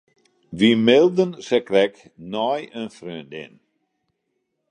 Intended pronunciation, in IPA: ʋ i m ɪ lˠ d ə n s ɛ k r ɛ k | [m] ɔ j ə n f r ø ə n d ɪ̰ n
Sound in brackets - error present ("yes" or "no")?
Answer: yes